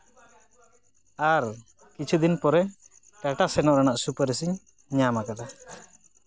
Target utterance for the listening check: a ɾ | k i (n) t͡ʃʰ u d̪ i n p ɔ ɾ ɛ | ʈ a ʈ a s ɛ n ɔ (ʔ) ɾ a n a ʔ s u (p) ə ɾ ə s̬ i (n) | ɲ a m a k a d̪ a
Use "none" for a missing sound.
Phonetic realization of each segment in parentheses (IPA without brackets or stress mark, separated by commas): none, ʔ, p, ɲ